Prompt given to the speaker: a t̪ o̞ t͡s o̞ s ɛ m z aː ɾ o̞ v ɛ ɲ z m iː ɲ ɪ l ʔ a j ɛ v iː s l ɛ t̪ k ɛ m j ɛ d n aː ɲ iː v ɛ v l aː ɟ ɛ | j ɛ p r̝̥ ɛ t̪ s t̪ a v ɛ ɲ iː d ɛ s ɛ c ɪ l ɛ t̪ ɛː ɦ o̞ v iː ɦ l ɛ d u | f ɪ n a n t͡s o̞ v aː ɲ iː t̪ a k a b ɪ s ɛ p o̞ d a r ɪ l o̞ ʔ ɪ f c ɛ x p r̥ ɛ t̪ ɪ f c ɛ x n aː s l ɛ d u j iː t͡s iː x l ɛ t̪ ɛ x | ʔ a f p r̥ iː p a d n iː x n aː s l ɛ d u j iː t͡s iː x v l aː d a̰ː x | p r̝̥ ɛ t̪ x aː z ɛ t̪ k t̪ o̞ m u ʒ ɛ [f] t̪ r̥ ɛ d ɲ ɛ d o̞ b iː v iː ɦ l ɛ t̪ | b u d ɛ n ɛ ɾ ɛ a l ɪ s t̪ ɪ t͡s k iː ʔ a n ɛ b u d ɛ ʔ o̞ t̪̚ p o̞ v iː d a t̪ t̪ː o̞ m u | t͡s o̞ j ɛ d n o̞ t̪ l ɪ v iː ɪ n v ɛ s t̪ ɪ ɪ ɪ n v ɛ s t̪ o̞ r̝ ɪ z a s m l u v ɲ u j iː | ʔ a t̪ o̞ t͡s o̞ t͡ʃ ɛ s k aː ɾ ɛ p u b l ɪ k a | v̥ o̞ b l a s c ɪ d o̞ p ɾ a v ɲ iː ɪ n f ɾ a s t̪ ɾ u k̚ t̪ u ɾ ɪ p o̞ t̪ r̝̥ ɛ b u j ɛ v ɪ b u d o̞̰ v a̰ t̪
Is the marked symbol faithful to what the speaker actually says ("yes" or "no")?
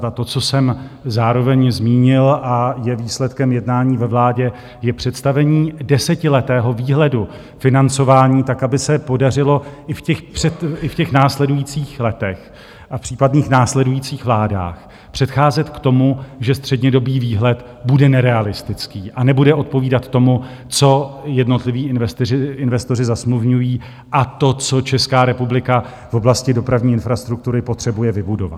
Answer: no